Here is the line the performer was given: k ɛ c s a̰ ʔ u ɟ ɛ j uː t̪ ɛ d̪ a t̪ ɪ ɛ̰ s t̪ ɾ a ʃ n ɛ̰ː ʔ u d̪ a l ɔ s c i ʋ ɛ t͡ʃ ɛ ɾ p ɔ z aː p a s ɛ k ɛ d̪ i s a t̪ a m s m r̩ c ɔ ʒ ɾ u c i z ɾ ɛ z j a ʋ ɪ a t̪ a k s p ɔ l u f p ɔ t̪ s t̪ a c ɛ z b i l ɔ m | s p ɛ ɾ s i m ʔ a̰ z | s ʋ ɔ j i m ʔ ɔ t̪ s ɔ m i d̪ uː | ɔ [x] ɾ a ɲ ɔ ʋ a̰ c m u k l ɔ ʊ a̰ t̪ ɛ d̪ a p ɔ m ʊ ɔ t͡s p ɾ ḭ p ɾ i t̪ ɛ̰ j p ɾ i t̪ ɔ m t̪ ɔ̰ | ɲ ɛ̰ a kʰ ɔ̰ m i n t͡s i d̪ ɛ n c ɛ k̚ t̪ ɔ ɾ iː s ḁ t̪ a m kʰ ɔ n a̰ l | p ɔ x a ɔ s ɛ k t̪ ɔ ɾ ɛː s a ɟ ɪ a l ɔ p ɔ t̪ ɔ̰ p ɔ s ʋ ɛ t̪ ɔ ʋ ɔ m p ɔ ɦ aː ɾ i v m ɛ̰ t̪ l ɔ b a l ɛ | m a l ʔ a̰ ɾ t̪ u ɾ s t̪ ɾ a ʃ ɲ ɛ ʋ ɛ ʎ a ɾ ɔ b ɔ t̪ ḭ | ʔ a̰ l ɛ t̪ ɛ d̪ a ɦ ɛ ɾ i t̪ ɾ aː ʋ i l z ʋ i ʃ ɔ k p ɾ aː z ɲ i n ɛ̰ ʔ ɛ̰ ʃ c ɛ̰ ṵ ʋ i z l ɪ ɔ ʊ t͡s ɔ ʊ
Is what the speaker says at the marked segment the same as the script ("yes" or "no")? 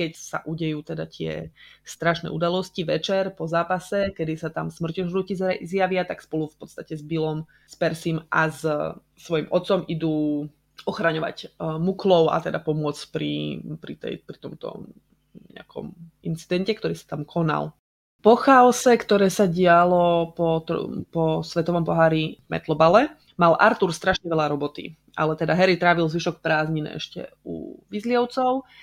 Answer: yes